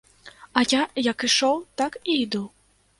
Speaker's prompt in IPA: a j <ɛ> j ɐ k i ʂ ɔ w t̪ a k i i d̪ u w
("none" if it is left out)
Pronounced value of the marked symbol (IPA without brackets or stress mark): a